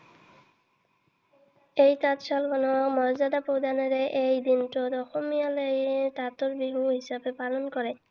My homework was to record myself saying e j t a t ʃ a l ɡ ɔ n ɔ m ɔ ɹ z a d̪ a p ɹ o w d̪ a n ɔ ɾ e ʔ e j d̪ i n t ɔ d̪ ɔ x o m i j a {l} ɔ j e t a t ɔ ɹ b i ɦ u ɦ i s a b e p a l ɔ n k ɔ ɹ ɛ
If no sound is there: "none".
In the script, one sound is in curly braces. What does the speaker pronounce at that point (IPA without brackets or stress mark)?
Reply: l